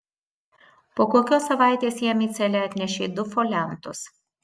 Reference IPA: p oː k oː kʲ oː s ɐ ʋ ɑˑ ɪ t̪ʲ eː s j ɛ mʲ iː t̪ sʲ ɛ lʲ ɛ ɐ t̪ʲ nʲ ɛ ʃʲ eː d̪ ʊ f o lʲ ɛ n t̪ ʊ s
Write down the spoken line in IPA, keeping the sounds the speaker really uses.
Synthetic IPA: p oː k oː kʲ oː s ɐ ʋ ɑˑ ɪ t̪ʲ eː s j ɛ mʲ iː t̪ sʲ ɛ lʲ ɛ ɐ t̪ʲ nʲ ɛ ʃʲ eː d̪ ʊ f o lʲ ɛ n t̪ ʊ s

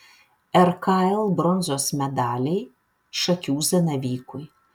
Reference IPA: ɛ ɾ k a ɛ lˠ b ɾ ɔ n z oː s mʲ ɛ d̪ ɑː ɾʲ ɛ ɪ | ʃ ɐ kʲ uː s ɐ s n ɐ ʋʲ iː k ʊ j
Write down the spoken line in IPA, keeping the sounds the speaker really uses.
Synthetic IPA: ɛ ɾ k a ɛ lˠ b ɾ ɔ n z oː s mʲ ɛ d̪ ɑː lʲ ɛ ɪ | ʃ ɐ kʲ uː z ɐ n ɐ ʋʲ iː k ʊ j

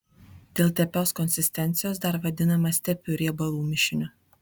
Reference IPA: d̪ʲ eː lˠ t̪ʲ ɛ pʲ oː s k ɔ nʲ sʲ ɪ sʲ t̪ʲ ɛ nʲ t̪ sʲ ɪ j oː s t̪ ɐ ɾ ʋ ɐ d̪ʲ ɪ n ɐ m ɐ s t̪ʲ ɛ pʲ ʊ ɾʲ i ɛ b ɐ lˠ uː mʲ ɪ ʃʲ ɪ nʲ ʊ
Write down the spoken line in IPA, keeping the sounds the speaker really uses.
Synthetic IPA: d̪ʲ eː lˠ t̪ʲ ɛ pʲ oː s k ɔ nʲ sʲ ɪ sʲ t̪ʲ ɛ nʲ t̪ sʲ ɪ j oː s d̪ ɐ ɾ ʋ ɐ d̪ʲ ɪ n ɐ m ɐ s t̪ʲ ɛ pʲ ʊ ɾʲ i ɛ b ɐ lˠ uː mʲ ɪ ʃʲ ɪ nʲ ʊ

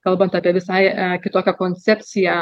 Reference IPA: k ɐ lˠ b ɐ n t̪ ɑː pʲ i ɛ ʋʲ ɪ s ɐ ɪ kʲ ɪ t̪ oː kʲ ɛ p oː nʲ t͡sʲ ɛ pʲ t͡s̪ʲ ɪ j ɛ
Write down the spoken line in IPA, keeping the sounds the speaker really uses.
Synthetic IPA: k ɐ lˠ b ɐ n t̪ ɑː pʲ i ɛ ʋʲ ɪ s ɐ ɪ kʲ ɪ t̪ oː kʲ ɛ k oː nʲ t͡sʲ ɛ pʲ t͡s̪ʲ ɪ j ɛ

